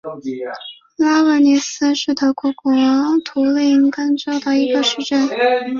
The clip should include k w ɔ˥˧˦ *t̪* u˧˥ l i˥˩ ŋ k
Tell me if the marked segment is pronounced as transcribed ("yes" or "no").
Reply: no